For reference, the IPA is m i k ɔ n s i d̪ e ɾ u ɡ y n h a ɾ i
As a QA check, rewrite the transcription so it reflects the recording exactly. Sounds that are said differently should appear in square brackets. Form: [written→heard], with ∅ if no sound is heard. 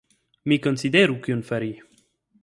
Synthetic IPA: m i k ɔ n s i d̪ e ɾ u [ɡ→k] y n [h→f] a ɾ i